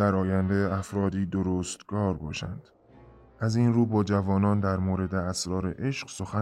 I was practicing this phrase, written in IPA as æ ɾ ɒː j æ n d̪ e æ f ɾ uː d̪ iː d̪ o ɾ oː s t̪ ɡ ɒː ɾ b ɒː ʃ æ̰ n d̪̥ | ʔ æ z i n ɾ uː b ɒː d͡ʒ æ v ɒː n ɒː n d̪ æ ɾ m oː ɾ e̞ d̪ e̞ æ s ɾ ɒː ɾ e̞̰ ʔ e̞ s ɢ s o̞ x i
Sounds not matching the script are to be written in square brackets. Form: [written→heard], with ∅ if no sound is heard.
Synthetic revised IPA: æ ɾ ɒː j æ n d̪ e æ f ɾ [uː→ɒː] d̪ iː d̪ o ɾ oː s t̪ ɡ ɒː ɾ b ɒː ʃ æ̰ n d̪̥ | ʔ æ z i n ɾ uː b ɒː d͡ʒ æ v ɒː n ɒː n d̪ æ ɾ m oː ɾ e̞ d̪ e̞ æ s ɾ ɒː ɾ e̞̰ ʔ e̞ [s→ʃ] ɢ s o̞ x [i→æ]